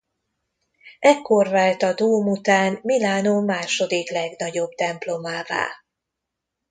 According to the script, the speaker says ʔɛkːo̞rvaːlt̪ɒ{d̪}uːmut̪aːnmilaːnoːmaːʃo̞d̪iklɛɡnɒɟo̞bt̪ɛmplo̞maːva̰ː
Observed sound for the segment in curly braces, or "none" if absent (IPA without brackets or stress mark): d̪